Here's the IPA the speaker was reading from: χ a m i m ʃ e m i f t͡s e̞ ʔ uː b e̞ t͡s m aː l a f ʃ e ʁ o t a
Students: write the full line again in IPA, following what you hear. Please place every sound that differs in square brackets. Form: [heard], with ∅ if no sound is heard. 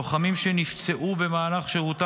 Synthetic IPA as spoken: χ a m i m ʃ e [n] i f t͡s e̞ ʔ [u] b e̞ [∅] m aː l a [χ] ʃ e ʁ [u] t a